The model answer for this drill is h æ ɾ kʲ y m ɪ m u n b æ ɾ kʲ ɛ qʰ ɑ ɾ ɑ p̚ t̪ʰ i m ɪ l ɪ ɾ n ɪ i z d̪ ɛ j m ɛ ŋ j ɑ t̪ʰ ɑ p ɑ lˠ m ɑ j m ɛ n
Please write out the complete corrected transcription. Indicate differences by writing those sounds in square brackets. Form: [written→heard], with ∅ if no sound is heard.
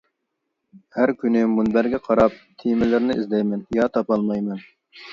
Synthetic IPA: h æ ɾ kʲ y [m→n] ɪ m u n b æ ɾ [kʲ→ɡʲ] ɛ qʰ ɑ ɾ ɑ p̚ t̪ʰ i m ɪ l ɪ ɾ n ɪ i z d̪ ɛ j m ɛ [ŋ→n] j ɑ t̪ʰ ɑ p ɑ lˠ m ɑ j m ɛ n